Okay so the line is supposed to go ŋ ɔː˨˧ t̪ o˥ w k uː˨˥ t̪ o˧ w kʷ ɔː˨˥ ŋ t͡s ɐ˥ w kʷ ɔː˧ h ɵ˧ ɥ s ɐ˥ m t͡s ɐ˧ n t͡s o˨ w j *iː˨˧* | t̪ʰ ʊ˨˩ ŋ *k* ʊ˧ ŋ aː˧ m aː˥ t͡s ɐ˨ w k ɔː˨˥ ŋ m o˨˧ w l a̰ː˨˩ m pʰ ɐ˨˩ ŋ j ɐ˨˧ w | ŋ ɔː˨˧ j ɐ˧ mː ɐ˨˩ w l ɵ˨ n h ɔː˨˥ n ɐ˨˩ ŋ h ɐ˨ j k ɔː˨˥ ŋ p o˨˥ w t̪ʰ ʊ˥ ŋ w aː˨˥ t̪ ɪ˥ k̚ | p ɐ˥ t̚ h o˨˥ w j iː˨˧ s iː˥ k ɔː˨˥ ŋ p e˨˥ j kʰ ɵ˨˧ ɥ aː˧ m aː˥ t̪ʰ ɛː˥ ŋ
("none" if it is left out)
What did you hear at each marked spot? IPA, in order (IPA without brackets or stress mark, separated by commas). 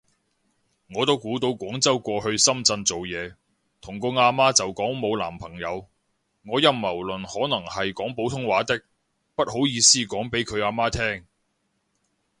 ɛː˨˧, k